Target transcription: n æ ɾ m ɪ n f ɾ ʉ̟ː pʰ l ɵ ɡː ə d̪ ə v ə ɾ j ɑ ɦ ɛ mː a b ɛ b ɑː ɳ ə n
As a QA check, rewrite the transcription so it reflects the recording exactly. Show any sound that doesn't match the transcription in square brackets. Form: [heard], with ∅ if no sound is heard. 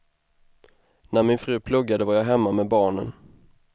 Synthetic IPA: n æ ɾ m ɪ n f ɾ ʉ̟ː pʰ l ɵ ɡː [a] d̪ ə v [a] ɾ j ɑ ɦ ɛ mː a [m] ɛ b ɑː ɳ ə n